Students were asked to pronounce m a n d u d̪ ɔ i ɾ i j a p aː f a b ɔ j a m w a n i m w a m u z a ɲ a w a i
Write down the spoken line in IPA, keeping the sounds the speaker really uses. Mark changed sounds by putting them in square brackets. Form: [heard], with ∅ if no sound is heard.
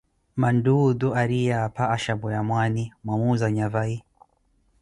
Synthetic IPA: m a n d u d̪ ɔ [a] ɾ i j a p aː [ʃ] a b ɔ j a m w a n i m w a m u z a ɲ a [v] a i